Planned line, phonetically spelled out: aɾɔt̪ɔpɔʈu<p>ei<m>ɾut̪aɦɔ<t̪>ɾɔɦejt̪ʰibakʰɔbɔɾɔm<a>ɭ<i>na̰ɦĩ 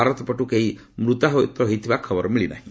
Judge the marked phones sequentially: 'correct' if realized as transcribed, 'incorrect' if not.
incorrect: k, correct, correct, incorrect: i, correct

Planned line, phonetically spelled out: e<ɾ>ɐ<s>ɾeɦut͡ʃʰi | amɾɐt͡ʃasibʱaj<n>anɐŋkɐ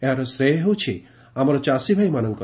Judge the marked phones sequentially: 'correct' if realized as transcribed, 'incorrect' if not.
correct, correct, incorrect: m

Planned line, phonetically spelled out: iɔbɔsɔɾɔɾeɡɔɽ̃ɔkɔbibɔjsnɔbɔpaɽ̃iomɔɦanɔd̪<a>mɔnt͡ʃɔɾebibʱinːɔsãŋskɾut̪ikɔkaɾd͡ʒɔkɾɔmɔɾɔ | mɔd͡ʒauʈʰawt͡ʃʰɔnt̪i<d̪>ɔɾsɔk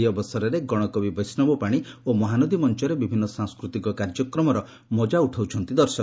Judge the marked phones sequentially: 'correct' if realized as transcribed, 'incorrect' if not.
incorrect: i, correct

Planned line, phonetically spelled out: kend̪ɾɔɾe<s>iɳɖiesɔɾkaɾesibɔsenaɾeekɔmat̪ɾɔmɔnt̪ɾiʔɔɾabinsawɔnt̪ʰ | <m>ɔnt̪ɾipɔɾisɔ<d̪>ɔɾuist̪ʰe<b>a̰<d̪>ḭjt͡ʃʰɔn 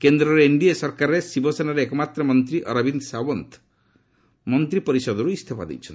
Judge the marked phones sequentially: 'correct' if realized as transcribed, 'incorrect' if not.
incorrect: none, correct, correct, incorrect: p, correct

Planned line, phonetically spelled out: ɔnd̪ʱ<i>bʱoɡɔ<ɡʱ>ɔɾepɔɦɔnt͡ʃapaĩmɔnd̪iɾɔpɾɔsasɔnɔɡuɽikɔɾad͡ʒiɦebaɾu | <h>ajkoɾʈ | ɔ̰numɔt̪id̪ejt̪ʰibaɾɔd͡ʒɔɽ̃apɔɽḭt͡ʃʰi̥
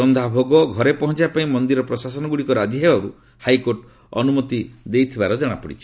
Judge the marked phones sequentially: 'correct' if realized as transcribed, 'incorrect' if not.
incorrect: a, correct, correct

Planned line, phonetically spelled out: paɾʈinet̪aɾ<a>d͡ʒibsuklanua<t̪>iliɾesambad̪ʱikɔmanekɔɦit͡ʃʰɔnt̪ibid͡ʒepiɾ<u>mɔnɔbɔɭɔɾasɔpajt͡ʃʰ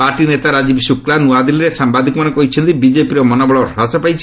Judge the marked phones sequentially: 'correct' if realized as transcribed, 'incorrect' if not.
correct, incorrect: d̪, incorrect: ɔ

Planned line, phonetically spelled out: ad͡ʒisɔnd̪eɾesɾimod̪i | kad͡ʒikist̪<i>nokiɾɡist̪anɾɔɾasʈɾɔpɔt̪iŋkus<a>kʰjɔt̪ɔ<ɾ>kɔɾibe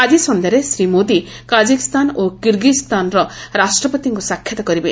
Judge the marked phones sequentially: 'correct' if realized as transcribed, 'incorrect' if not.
incorrect: a, correct, incorrect: none

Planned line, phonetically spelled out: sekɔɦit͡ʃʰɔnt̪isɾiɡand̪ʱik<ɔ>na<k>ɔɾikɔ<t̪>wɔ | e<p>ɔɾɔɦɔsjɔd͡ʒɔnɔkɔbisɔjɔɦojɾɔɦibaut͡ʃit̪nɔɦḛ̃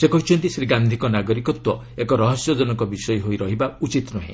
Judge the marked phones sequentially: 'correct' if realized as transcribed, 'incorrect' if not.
correct, incorrect: ɡ, correct, incorrect: k

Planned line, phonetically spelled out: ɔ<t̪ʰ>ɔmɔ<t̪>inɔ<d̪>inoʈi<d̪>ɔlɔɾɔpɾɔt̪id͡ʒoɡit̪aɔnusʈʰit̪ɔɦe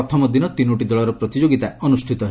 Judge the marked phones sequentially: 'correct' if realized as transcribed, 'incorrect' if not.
correct, incorrect: d̪, incorrect: t̪, correct

